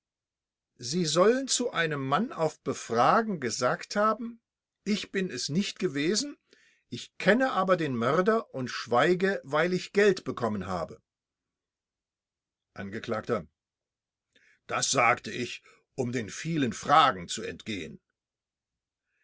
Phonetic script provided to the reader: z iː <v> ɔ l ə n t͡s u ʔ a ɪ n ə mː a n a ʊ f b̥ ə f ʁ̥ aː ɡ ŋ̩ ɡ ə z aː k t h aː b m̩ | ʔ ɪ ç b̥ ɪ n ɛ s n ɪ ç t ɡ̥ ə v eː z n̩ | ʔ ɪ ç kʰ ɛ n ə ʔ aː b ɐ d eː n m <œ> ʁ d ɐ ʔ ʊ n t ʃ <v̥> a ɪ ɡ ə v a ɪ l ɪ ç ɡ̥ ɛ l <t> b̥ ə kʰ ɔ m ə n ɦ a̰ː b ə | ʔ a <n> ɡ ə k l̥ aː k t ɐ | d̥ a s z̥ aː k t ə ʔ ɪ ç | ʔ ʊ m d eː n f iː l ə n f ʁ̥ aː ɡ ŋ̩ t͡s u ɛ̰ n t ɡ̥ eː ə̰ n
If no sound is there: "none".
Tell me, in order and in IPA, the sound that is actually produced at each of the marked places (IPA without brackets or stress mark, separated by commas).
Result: z, œ, v̥, t, n